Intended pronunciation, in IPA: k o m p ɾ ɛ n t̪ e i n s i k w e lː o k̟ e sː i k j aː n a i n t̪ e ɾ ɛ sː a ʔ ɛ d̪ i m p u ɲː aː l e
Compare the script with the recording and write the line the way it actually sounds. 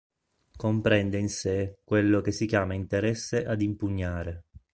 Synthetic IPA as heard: k o m p ɾ ɛ n d̪ e i n s e k w e lː o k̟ e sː i k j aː m a i n t̪ e ɾ ɛ sː e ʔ a d̪ i m p u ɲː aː ɾ e